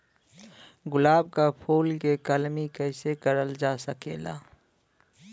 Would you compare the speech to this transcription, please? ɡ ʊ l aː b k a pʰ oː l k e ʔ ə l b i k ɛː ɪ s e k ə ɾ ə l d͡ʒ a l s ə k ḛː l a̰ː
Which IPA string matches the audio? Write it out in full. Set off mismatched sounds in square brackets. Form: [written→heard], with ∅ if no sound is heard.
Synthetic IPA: ɡ ʊ l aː b k a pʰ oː l k e [ʔ→k] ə l [b→m] i k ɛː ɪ s e k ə ɾ ə l d͡ʒ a [l→∅] s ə k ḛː l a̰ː